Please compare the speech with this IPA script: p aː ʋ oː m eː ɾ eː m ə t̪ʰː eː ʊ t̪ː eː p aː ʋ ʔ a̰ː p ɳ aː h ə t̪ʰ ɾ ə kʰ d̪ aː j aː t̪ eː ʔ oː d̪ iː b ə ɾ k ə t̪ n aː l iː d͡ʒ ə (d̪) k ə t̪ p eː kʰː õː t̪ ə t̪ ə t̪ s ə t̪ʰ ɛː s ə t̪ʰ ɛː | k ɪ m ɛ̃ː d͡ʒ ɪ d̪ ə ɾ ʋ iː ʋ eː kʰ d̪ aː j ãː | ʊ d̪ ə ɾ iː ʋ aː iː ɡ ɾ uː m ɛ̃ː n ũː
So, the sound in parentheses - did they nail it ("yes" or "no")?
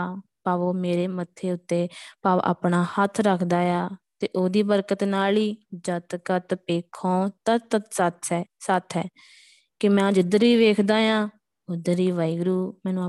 no